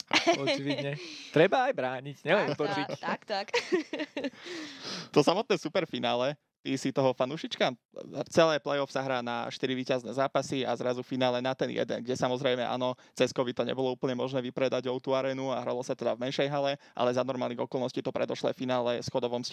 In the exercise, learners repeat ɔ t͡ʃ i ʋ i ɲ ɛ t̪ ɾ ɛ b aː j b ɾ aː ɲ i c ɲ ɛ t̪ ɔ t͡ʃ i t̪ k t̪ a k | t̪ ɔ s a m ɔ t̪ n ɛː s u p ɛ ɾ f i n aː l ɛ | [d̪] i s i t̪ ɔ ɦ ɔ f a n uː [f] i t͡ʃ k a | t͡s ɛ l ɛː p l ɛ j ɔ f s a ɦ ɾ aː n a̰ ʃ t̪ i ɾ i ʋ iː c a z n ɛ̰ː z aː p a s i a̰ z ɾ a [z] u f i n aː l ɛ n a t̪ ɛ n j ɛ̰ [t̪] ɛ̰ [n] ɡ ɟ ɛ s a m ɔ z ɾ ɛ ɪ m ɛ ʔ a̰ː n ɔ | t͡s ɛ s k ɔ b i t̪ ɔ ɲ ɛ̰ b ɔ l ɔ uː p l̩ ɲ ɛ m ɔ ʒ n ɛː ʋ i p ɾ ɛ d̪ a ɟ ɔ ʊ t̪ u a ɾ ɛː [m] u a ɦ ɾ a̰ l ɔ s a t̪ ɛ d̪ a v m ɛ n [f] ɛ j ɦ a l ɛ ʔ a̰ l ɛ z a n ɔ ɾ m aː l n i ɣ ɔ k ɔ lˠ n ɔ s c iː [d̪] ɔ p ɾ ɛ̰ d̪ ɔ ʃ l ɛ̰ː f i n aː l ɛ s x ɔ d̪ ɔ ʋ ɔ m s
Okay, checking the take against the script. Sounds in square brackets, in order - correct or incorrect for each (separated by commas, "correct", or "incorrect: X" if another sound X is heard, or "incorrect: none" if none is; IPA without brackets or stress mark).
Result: incorrect: t̪, incorrect: ʃ, correct, incorrect: d̪, correct, incorrect: n, incorrect: ʃ, incorrect: t̪